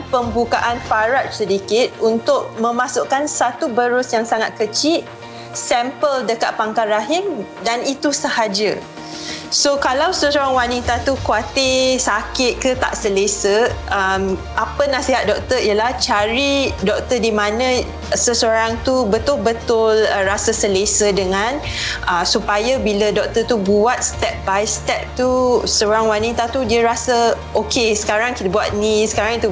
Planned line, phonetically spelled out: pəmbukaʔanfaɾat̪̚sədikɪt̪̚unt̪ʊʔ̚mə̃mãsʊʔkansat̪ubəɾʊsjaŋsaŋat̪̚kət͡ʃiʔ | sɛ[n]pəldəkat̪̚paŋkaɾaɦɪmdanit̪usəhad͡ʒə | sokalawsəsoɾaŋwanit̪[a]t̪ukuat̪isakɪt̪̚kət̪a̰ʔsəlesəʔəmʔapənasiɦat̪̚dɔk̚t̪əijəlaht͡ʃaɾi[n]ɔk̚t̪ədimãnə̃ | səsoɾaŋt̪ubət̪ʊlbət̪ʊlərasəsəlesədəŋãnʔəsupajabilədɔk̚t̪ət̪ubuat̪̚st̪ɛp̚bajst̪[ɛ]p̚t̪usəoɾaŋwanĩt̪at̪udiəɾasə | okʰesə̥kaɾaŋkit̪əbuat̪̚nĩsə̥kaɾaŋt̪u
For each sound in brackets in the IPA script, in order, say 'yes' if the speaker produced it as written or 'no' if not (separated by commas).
no, yes, no, yes